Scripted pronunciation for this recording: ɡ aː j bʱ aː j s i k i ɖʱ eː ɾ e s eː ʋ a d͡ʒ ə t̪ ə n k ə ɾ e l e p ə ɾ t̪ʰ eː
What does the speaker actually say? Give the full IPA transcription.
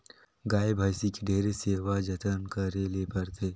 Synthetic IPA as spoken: ɡ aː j bʱ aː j s i k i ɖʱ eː ɾ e s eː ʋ a d͡ʒ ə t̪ ə n k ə ɾ e l e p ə ɾ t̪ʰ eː